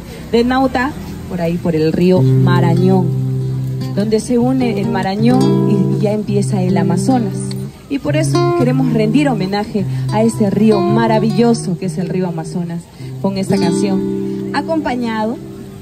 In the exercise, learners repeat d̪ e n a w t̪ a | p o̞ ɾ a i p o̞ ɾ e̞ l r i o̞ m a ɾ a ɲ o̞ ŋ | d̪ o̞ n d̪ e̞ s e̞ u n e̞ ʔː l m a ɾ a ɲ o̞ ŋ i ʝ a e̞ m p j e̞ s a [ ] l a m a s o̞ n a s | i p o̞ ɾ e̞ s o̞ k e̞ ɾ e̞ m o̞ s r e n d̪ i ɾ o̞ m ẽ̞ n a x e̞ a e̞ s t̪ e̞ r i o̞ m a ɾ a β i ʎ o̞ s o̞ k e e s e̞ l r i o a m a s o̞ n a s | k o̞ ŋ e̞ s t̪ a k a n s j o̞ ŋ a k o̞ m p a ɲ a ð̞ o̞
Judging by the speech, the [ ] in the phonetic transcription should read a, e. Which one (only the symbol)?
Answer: e